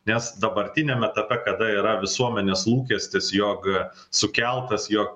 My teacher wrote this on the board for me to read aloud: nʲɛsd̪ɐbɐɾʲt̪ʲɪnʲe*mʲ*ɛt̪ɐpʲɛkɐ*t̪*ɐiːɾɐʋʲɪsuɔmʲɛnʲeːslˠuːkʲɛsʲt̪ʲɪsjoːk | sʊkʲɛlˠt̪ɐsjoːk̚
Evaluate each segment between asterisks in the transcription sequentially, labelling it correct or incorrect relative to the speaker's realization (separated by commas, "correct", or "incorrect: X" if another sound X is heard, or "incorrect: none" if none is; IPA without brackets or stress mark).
correct, incorrect: d̪